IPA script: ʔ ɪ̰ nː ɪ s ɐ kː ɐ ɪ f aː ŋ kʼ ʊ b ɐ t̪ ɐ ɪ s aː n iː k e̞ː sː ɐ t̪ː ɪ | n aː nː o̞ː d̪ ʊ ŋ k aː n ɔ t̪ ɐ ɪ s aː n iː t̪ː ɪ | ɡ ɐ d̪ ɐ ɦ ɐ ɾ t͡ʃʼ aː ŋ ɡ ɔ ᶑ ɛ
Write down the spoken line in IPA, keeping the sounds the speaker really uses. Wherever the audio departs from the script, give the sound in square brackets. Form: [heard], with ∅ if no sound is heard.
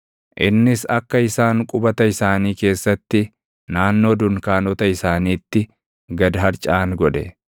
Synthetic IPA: ʔ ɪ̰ nː ɪ s ɐ kː ɐ ɪ [s] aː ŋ kʼ ʊ b ɐ t̪ ɐ ɪ s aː n iː k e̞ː sː ɐ t̪ː ɪ | n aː nː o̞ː d̪ ʊ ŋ k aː n ɔ t̪ ɐ ɪ s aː n iː t̪ː ɪ | ɡ ɐ d̪ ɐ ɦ ɐ ɾ t͡ʃʼ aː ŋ ɡ ɔ ᶑ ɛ